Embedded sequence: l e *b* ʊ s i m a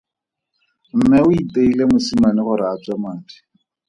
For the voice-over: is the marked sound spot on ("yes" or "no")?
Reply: no